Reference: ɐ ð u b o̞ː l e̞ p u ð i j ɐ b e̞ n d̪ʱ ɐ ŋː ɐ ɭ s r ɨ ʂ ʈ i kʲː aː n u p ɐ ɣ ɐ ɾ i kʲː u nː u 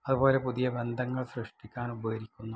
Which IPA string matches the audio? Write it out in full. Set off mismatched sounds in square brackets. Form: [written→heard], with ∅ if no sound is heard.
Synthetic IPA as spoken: ɐ ð u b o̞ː l e̞ p u ð i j ɐ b e̞ n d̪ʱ ɐ ŋː ɐ ɭ s r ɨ ʂ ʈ i kʲː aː n u [p→b] ɐ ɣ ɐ ɾ i kʲː u nː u